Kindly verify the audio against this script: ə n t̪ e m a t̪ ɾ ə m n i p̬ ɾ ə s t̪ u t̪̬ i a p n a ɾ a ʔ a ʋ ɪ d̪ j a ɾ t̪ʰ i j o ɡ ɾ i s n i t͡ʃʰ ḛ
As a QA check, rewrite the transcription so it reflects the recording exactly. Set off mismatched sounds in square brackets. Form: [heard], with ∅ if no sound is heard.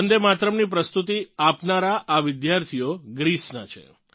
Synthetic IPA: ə n [d̪] e m a t̪ ɾ ə m n i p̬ ɾ ə s t̪ u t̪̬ i a p n a ɾ a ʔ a ʋ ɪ d̪ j a ɾ t̪ʰ i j o ɡ ɾ i s n [a] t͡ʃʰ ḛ